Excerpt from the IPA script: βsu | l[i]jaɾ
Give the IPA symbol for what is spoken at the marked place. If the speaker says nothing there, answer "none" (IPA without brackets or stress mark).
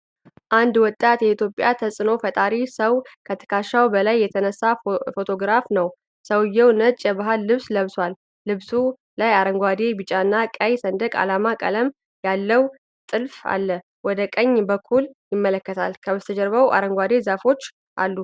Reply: a